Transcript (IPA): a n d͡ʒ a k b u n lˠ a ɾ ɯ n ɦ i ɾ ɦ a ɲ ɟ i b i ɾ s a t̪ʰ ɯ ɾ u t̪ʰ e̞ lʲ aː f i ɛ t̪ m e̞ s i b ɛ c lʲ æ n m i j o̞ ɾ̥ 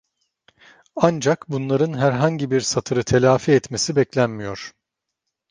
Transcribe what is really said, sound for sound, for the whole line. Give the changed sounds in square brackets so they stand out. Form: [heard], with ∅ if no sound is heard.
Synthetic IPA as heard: a n d͡ʒ a k b u n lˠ a ɾ ɯ n ɦ [æ] ɾ ɦ a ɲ ɟ i b i ɾ s a t̪ʰ ɯ ɾ [ɯ] t̪ʰ e̞ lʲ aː f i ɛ t̪ m e̞ s i b ɛ c lʲ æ n m i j o̞ ɾ̥